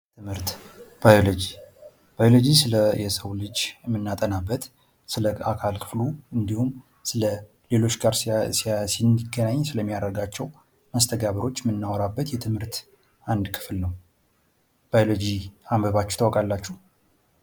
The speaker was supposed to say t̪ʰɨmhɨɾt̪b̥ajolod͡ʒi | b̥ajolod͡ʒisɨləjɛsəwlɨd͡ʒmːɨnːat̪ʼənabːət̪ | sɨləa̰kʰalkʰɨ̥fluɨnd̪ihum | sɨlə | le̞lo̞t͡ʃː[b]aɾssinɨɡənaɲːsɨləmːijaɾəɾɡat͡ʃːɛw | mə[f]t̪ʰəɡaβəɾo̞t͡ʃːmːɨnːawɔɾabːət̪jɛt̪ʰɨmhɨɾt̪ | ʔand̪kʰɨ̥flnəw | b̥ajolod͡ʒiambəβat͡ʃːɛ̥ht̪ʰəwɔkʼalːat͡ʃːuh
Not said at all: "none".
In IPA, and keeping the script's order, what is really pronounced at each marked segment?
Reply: ɡ, s

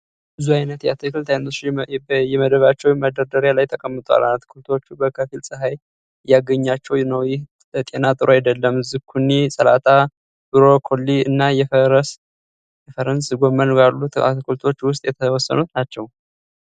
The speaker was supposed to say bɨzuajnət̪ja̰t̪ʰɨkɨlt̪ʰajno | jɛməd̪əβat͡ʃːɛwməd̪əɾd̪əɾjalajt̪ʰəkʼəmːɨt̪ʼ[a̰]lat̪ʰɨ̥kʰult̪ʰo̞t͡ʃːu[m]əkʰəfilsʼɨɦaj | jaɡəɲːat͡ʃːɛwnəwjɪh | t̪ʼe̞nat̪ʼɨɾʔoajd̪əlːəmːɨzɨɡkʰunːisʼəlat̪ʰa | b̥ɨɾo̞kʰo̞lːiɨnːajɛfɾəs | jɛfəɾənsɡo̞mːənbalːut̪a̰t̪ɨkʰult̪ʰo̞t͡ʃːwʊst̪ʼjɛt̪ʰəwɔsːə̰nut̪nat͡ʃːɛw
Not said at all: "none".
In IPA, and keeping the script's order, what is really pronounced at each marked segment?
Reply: a̰, b

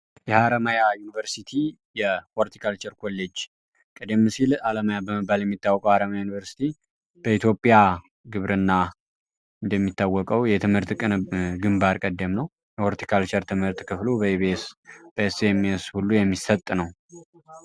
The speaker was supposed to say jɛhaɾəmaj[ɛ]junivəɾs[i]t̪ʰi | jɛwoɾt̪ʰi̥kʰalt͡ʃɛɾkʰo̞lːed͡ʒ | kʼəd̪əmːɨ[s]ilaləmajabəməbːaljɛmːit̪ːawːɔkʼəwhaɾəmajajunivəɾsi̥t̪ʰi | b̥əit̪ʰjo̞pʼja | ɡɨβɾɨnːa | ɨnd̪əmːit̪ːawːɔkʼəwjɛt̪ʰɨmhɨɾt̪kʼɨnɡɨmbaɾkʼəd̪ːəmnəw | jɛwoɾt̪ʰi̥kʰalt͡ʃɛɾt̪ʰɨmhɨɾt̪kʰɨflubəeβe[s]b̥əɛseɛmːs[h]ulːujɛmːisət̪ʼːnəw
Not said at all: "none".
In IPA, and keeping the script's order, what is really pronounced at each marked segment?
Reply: a, i, s, s, h

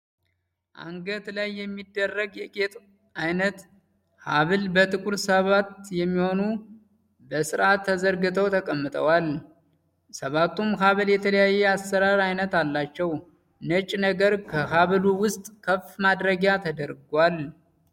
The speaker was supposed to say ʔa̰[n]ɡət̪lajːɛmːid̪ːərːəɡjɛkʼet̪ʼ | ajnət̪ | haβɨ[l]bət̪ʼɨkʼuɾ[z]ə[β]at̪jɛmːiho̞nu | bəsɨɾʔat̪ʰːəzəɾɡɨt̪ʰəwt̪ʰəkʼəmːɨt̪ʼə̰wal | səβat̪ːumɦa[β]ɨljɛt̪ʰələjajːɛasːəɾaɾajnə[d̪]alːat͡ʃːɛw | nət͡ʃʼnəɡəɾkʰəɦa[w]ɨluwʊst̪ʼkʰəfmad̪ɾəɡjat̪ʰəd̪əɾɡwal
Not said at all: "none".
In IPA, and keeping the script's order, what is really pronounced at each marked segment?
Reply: ŋ, l, s, β, β, t̪, β

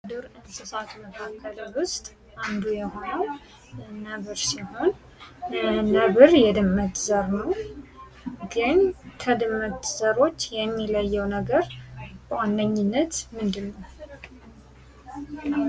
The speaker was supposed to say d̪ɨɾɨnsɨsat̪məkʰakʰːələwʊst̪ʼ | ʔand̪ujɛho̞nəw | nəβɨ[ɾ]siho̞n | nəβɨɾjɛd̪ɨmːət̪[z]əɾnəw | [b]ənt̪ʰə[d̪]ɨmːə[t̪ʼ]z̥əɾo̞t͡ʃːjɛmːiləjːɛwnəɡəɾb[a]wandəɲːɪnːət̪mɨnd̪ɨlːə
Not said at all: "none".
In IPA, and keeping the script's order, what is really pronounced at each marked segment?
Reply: ɾ, z, ɡ, d̪, t̪, ə

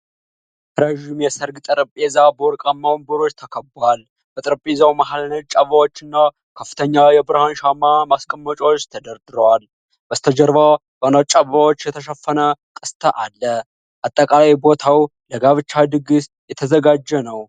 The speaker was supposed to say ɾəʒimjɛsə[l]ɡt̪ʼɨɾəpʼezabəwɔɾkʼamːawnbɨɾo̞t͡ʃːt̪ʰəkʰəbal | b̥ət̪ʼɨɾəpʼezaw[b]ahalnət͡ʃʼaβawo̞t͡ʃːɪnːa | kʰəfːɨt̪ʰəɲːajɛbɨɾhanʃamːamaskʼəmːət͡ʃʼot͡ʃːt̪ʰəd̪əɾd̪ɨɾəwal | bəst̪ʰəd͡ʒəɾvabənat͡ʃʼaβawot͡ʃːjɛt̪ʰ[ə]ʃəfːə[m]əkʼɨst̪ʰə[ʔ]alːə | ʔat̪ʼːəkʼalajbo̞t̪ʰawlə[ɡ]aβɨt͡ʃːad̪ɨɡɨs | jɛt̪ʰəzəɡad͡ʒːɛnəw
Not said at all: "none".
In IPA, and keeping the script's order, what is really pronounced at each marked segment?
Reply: ɾ, m, ə, n, ʔ, ɡ

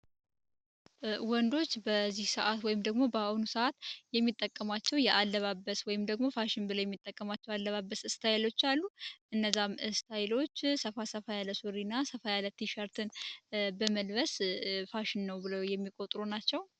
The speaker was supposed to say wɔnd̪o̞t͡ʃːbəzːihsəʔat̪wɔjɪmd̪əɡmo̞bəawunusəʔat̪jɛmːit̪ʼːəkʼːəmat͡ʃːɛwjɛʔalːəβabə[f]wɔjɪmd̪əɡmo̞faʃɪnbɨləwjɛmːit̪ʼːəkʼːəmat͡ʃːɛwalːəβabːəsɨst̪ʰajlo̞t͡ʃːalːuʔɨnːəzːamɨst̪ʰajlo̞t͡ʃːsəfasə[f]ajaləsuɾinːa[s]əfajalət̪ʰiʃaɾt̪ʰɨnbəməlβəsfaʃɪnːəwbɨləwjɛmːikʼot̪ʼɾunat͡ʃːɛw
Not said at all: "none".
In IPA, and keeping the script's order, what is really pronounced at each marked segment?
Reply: s, f, s

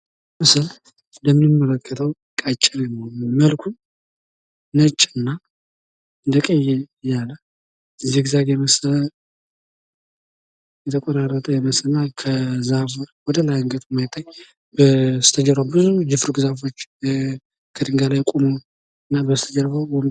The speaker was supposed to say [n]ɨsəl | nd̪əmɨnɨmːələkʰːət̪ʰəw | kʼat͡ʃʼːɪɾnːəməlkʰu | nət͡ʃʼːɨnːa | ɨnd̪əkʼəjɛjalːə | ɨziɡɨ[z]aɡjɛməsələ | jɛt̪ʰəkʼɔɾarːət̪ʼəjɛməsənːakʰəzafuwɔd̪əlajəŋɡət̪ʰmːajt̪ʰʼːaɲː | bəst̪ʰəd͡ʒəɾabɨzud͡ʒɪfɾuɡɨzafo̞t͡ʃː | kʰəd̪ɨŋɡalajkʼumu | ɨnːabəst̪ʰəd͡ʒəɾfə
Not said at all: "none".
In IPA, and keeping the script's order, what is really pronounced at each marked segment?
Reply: m, z

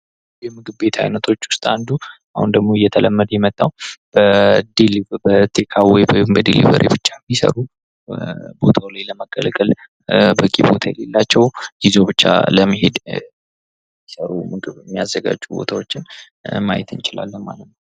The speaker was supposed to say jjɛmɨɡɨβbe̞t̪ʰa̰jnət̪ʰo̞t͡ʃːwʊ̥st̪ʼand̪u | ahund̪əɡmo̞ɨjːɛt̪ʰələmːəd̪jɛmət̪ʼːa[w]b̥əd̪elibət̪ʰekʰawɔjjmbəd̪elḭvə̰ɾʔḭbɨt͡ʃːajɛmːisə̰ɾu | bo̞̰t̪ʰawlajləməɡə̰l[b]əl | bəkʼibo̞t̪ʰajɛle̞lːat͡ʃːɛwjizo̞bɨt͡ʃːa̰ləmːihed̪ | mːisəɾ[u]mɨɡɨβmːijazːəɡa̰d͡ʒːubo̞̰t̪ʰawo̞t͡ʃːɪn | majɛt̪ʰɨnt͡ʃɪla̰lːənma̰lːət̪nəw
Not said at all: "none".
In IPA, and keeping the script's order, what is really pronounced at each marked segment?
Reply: w, ɡ, u

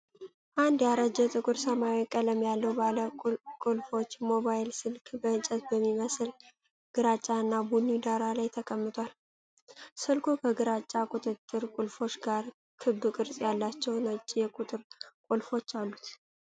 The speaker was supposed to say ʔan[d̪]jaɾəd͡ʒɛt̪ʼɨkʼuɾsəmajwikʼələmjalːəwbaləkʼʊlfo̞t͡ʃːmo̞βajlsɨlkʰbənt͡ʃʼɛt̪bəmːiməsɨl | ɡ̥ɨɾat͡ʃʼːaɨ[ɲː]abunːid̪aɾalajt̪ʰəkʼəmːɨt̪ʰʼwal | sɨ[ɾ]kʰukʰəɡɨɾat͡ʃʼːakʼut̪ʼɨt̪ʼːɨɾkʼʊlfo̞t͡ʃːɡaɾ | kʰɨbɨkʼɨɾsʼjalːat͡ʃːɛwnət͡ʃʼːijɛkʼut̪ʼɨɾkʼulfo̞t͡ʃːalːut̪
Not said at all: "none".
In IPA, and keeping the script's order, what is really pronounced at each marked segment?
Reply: d̪, nː, l

